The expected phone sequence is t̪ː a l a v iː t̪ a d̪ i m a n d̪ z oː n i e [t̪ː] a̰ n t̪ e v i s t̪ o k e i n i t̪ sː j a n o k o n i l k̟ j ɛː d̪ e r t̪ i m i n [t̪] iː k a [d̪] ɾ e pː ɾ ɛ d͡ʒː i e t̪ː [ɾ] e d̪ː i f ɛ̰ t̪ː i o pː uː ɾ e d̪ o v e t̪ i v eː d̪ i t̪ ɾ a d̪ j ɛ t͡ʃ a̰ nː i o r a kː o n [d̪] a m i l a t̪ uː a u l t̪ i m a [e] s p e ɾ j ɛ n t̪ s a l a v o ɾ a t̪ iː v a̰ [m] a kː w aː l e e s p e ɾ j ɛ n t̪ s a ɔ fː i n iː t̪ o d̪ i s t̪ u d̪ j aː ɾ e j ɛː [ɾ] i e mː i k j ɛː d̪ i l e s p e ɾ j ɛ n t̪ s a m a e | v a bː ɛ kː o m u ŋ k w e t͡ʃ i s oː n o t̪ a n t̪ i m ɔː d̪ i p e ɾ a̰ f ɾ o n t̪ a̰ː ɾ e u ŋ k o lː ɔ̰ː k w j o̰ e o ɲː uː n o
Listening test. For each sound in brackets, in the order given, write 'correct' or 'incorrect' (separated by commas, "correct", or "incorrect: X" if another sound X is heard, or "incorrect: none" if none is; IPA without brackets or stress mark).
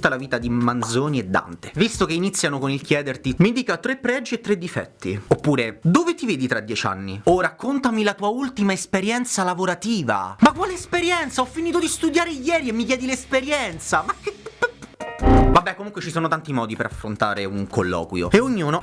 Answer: incorrect: d̪ː, incorrect: d̪, incorrect: t̪, correct, incorrect: t̪, correct, correct, correct